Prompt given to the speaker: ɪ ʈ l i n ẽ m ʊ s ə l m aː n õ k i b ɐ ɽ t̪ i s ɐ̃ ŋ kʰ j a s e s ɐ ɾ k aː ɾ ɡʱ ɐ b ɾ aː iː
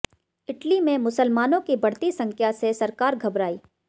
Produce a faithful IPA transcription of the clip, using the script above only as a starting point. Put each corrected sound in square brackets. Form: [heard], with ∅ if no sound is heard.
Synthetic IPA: ɪ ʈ l i [m] ẽ m ʊ s ə l m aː n õ k i b ɐ ɽ t̪ i s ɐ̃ ŋ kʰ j a s e s ɐ ɾ k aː ɾ ɡʱ ɐ b ɾ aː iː